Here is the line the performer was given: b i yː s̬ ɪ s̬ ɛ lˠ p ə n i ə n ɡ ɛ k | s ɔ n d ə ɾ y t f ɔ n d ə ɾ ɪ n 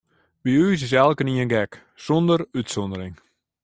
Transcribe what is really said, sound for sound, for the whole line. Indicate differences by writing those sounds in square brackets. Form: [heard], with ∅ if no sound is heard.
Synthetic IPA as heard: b i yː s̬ ɪ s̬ ɛ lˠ [k] ə n i ə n ɡ ɛ k | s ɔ n d ə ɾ y t [s] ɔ n d ə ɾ ɪ [ŋ]